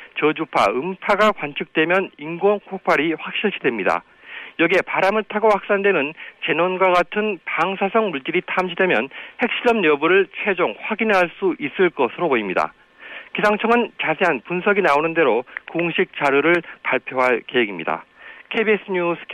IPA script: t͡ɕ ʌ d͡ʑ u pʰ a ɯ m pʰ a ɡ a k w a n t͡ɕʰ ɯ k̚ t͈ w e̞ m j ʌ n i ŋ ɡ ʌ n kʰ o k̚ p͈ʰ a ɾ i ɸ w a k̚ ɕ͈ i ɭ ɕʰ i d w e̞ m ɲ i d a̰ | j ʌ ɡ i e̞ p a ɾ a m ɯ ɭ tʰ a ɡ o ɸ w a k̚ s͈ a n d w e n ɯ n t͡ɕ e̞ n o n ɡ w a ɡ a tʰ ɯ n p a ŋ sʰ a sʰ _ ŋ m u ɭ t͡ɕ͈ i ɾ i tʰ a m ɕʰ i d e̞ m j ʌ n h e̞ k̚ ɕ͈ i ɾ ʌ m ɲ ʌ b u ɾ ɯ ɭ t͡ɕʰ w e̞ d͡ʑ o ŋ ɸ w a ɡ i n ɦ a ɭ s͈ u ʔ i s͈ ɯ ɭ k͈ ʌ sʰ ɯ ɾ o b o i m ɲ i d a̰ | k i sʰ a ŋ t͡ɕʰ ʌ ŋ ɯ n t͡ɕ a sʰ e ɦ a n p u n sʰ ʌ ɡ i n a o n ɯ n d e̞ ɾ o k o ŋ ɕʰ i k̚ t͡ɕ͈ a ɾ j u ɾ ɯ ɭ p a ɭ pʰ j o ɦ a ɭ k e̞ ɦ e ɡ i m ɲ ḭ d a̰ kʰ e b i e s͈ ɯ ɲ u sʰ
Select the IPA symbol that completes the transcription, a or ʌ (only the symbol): ʌ